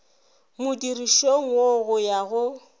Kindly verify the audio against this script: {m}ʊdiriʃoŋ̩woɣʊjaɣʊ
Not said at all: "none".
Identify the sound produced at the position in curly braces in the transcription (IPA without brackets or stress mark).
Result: m